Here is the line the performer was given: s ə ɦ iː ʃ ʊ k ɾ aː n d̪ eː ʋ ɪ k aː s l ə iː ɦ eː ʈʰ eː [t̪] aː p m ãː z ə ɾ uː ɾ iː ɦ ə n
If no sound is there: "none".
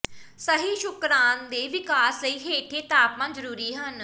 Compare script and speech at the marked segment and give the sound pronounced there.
t̪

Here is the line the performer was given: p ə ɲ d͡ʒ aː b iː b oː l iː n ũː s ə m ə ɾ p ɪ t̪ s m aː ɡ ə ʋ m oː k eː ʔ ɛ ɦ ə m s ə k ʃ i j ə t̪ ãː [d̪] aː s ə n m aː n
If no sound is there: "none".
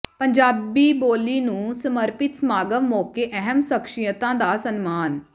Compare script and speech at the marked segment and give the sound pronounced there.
d̪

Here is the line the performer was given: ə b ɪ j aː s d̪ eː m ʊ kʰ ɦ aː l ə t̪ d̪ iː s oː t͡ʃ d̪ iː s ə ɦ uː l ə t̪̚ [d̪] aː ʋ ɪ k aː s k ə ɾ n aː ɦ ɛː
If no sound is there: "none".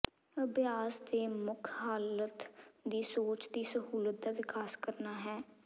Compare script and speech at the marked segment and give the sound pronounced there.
d̪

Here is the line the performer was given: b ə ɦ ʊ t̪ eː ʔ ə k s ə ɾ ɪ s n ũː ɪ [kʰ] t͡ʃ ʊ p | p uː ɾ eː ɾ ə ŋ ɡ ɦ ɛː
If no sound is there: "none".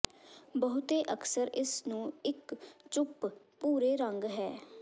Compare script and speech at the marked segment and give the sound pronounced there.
k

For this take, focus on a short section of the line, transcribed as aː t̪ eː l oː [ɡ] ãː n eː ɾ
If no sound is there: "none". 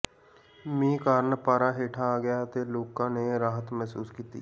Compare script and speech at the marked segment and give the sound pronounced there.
k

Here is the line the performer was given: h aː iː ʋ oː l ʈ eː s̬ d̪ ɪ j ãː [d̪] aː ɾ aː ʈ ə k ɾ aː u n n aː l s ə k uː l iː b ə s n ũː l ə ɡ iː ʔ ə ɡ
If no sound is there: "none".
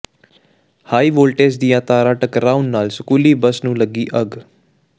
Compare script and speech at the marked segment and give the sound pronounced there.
t̪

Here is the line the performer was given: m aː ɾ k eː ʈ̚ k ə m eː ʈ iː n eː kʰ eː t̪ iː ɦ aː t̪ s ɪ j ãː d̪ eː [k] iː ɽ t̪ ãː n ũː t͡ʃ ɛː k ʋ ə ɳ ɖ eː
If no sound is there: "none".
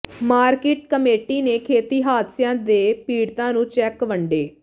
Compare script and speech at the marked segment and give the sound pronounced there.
p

